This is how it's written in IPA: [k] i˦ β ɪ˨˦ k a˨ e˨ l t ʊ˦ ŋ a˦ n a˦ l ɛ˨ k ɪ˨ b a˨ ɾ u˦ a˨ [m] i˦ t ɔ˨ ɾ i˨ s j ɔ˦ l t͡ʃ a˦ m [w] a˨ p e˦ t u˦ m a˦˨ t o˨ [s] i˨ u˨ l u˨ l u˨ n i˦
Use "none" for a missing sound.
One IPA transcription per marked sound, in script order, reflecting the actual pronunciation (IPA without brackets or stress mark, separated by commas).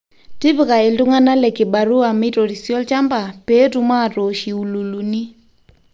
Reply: t, m, b, ʃ